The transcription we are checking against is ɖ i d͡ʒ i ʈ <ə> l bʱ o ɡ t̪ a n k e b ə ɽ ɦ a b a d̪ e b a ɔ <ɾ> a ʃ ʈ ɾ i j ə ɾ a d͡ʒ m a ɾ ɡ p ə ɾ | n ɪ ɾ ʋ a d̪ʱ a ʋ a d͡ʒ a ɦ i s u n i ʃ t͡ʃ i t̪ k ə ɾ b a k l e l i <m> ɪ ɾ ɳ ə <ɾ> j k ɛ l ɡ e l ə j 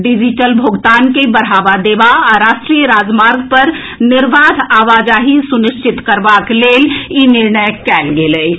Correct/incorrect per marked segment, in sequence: correct, correct, incorrect: n, incorrect: none

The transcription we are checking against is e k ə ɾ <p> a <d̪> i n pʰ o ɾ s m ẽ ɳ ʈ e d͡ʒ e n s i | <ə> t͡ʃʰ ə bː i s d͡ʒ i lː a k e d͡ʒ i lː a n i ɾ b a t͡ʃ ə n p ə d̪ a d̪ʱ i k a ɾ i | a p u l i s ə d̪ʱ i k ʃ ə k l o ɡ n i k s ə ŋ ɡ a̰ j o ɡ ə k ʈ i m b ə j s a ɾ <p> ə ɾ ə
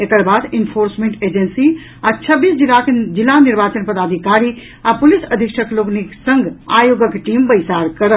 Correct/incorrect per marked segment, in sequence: incorrect: b, correct, incorrect: a, incorrect: k

